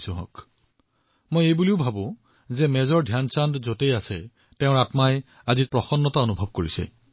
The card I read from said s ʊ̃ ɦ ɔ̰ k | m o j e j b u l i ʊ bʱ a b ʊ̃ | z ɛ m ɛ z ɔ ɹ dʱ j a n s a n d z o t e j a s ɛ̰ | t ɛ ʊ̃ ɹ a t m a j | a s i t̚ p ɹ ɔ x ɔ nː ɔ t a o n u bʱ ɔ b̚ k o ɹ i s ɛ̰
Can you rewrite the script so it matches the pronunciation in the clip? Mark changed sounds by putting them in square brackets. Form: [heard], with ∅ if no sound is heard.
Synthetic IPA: s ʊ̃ ɦ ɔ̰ k | m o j e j b u l i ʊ bʱ a b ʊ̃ | z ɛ m ɛ z ɔ ɹ dʱ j a n s a n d z o t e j a s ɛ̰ | t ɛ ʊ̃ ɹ a t m a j | a [z] i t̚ p ɹ ɔ x ɔ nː ɔ t a o n u bʱ ɔ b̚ k o ɹ i s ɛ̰

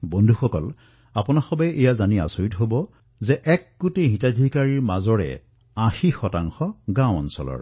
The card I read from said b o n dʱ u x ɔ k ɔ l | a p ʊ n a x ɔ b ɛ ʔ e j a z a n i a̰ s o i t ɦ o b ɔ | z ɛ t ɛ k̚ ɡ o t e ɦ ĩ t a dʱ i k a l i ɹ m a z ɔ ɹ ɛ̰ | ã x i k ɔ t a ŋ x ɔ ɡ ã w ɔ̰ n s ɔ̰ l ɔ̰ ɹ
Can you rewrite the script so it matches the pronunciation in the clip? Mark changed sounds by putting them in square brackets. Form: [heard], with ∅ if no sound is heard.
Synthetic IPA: b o n dʱ u x ɔ k ɔ l | a p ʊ n a x ɔ b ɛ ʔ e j a z a n i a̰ s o i t ɦ o b ɔ | z ɛ [ʔ] ɛ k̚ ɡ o t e ɦ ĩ t a dʱ i k a [ɹ] i ɹ m a z ɔ ɹ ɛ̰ | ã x i [x] ɔ t a ŋ x ɔ ɡ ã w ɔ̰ n s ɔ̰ l ɔ̰ ɹ

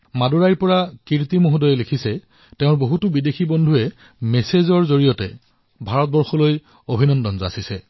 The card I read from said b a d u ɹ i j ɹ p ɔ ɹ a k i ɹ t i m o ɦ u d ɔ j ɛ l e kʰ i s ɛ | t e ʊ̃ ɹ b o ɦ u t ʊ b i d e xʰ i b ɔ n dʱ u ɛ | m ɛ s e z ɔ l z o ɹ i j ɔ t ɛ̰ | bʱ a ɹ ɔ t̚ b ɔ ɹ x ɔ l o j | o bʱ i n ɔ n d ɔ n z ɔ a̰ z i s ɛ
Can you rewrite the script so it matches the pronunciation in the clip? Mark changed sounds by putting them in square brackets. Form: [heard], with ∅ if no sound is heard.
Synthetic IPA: [m] a d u ɹ [a] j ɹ p ɔ ɹ a k i ɹ t i m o ɦ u d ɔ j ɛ l e kʰ i s ɛ | t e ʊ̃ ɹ b o ɦ u t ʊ b i d e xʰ i b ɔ n dʱ u ɛ | m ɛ s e z ɔ [ɹ] z o ɹ i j ɔ t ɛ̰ | bʱ a ɹ ɔ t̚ b ɔ ɹ x ɔ l o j | o bʱ i n ɔ n d ɔ n z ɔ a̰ [s] i s ɛ

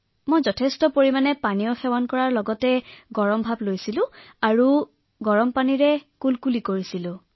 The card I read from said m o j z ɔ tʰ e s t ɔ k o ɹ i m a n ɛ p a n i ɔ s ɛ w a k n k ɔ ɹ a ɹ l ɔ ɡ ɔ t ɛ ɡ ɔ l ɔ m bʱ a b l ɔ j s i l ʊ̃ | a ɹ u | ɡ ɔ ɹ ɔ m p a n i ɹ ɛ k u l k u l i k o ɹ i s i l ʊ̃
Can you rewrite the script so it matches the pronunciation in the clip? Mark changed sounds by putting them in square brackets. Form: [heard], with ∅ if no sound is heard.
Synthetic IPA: m o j z ɔ tʰ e s t ɔ [p] o ɹ i m a n ɛ p a n i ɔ [x] ɛ w a [∅] n k ɔ ɹ a ɹ l ɔ ɡ ɔ t ɛ ɡ ɔ [ɹ] ɔ m bʱ a b l [o] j s i l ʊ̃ | a ɹ u | ɡ ɔ ɹ ɔ m p a n i ɹ ɛ k u l k u l i k o ɹ i s i l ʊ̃

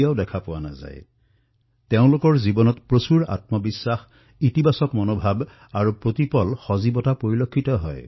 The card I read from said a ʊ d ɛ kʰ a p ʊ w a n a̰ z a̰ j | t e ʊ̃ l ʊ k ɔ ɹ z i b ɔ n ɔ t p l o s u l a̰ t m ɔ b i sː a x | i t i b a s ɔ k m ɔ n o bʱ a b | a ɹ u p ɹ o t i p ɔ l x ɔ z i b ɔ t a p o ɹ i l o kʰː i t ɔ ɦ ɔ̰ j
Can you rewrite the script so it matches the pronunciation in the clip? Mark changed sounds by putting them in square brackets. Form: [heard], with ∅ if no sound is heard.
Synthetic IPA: a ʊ d ɛ kʰ a p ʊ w a n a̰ z a̰ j | t e ʊ̃ l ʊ k ɔ ɹ z i b ɔ n ɔ t p [ɹ] o s u [ɹ] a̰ t m ɔ b i sː a x | i t i b a s ɔ k m ɔ n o bʱ a b | a ɹ u p ɹ o t i p ɔ l x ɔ z i b ɔ t a p o ɹ i l o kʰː i t ɔ ɦ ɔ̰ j

